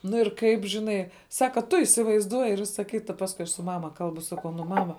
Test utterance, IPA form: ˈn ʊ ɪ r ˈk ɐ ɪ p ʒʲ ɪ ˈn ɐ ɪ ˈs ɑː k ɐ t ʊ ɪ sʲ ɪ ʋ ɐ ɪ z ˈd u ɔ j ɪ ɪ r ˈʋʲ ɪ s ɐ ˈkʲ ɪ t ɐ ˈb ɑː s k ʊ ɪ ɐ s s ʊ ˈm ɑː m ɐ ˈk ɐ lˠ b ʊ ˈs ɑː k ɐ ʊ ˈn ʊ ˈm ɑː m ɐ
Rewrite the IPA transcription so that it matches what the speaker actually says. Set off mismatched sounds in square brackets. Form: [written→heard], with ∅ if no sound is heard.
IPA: ˈn ʊ ɪ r ˈk ɐ ɪ p ʒʲ ɪ ˈn ɐ ɪ ˈs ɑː k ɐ t ʊ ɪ sʲ ɪ ʋ ɐ ɪ z ˈd u ɔ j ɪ ɪ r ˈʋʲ ɪ s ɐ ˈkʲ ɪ t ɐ [ˈb→ˈp] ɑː s k ʊ ɪ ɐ [s→ʃ] s ʊ ˈm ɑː m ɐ ˈk ɐ lˠ b ʊ ˈs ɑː k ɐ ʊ ˈn ʊ ˈm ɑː m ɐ